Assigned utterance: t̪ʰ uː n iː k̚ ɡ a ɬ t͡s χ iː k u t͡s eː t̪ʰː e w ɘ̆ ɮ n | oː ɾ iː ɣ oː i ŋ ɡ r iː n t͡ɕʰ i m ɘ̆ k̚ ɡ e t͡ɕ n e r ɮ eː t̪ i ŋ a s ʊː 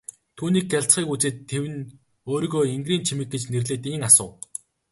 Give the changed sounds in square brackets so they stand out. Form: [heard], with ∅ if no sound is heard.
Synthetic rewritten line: t̪ʰ uː n iː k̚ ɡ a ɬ t͡s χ iː k u t͡s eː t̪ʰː e w ɘ̆ [∅] n | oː ɾ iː ɣ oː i ŋ ɡ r iː n t͡ɕʰ i m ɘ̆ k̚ ɡ e t͡ɕ n e r ɮ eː t̪ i ŋ a s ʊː